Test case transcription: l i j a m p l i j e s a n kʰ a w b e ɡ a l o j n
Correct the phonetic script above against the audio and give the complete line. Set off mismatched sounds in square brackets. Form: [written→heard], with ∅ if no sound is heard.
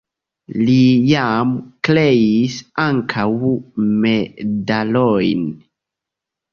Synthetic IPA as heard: l i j a m [p→k] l [i→e] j [e→i] s a [n→ŋ] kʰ a w [b→m] e [ɡ→d] a l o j n